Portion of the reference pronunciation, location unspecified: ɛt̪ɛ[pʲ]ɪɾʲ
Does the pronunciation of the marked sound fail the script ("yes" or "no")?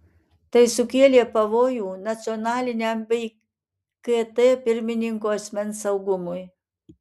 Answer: no